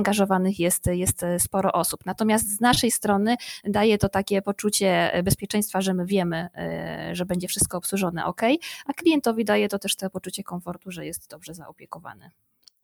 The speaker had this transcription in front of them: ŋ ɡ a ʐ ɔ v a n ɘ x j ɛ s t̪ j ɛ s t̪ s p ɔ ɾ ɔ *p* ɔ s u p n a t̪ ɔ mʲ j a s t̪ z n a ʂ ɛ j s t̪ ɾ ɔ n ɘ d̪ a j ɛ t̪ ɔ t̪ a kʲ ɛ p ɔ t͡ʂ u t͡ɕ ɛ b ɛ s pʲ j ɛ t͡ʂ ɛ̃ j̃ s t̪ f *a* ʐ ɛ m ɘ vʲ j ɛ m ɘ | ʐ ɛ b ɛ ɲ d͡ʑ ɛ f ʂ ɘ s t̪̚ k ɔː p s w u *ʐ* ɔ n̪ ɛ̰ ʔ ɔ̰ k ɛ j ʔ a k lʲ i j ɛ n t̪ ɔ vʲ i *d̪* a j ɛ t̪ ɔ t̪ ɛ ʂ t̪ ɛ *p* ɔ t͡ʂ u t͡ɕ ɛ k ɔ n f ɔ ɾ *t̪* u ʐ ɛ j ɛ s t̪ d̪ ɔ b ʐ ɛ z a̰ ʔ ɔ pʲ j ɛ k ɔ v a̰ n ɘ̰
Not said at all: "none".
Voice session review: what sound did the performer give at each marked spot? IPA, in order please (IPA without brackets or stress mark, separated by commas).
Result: ʔ, a, ʐ, d̪, p, t̪